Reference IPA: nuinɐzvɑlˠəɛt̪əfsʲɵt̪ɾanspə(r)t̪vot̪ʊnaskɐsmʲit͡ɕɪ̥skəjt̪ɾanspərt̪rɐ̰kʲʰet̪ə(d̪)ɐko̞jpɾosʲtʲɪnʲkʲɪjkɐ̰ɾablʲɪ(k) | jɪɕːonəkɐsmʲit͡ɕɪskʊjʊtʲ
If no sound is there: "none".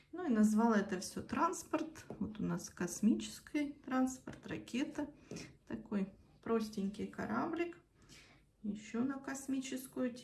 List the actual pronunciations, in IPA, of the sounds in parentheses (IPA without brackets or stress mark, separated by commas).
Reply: r, t̪, k